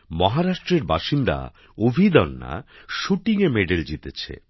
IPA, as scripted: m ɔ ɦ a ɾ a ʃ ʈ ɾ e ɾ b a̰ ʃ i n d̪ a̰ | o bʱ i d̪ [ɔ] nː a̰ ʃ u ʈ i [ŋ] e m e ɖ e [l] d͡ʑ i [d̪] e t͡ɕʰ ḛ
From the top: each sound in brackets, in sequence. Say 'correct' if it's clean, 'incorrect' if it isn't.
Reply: correct, correct, correct, incorrect

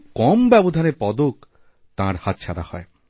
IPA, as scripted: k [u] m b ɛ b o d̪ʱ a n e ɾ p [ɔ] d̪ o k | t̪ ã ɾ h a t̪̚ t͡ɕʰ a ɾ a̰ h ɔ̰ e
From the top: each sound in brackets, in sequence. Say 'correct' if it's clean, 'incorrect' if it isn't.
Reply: incorrect, correct

